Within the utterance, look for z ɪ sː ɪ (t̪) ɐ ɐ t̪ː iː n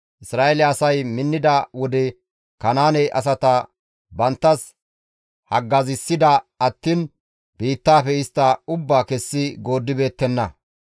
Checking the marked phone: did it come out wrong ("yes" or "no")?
yes